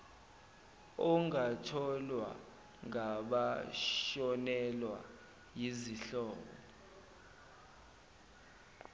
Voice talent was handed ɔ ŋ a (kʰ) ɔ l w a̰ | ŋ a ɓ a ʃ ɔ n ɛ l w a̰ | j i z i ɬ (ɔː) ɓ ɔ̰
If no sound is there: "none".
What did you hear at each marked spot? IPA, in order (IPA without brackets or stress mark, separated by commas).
tʰ, ɔː